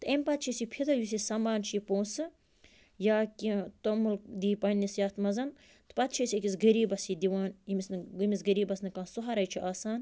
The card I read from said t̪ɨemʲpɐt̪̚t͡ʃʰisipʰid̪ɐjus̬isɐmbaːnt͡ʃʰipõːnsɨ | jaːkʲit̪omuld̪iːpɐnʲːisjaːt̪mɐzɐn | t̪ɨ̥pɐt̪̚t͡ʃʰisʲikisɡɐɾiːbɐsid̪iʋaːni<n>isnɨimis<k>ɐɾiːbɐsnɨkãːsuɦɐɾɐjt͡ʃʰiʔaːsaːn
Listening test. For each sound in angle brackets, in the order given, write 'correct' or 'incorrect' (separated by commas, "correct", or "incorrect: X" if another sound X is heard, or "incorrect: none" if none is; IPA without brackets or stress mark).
incorrect: m, incorrect: ɡ